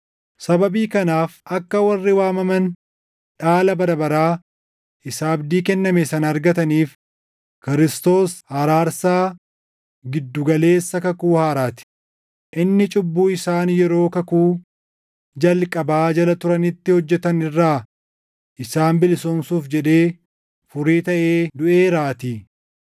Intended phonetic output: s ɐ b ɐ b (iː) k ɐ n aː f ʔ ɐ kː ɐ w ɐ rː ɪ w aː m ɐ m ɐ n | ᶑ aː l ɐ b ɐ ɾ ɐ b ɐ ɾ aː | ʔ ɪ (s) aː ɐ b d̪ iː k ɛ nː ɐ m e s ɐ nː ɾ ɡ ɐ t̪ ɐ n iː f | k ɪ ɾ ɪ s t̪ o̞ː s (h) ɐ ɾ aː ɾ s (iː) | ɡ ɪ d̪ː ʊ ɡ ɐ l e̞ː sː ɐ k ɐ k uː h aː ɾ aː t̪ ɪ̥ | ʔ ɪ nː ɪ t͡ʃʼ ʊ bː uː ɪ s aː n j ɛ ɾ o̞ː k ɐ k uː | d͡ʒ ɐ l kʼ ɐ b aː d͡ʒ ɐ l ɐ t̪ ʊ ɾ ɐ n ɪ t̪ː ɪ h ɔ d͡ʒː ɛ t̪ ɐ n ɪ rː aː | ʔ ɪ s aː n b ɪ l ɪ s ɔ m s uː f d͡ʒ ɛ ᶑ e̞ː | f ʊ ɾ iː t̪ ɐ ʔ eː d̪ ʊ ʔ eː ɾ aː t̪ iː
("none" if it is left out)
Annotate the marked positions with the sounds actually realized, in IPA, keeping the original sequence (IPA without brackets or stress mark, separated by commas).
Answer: iː, s, h, aː